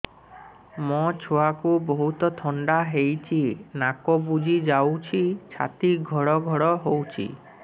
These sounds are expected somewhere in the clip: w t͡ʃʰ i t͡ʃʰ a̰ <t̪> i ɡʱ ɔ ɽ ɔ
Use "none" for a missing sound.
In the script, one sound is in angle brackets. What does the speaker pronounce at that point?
t̪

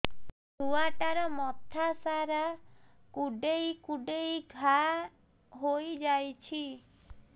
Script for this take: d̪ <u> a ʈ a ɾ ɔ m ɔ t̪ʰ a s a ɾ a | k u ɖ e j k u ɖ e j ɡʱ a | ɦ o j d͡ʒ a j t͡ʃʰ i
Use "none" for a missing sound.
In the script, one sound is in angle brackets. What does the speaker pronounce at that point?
u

